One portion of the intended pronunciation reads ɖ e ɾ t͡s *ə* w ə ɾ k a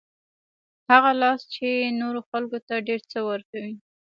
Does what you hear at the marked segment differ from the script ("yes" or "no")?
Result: no